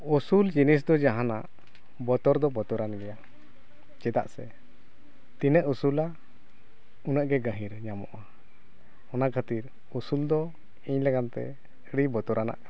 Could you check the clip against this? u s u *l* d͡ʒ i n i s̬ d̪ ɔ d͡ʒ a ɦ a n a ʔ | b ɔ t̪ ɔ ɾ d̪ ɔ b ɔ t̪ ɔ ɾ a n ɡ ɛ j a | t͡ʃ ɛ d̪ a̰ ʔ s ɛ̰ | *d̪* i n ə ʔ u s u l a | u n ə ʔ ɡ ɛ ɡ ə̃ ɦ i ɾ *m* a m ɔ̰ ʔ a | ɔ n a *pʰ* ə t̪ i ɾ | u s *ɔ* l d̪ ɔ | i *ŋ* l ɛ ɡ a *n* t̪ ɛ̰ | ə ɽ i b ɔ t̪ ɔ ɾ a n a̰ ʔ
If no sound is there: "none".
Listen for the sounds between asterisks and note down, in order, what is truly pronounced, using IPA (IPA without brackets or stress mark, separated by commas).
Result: l, t̪, ɲ, kʰ, u, ɲ, n